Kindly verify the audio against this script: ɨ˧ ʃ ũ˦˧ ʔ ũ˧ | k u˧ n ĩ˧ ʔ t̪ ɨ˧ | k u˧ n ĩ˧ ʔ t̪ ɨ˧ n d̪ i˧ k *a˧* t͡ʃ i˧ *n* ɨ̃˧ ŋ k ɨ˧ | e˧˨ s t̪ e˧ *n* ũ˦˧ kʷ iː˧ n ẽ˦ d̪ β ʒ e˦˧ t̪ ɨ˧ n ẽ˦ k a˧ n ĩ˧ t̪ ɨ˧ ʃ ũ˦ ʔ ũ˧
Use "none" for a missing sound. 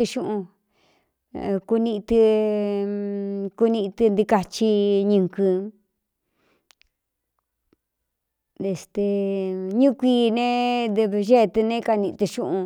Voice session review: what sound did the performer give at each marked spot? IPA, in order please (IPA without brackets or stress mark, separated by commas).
a˧, ɲ, ɲ